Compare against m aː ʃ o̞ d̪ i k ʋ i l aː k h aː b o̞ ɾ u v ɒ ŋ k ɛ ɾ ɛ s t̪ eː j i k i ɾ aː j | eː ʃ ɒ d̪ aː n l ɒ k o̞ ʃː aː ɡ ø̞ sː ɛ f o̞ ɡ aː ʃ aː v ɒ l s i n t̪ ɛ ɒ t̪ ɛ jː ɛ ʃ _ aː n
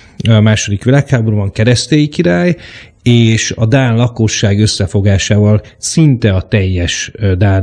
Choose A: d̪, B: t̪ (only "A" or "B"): A